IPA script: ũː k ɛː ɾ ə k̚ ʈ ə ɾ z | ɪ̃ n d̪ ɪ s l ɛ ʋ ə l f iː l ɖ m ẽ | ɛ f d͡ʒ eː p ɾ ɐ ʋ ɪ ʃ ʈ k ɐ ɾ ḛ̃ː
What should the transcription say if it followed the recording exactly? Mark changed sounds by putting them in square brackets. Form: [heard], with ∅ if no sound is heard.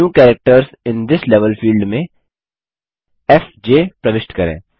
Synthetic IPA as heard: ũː k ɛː ɾ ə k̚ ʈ ə ɾ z | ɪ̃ n d̪ ɪ s l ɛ ʋ ə l f iː l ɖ m ẽ | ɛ f d͡ʒ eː p ɾ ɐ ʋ ɪ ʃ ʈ k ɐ ɾ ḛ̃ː